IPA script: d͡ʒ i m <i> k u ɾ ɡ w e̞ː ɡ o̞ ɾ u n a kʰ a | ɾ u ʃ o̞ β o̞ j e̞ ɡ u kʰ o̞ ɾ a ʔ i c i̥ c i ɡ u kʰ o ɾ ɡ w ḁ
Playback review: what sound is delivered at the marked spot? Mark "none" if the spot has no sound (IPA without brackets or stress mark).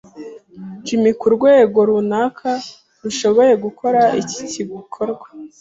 i